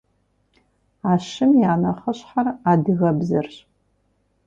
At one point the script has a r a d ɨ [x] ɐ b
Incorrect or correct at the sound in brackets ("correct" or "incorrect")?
incorrect